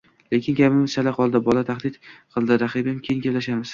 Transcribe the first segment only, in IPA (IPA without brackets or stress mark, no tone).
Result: l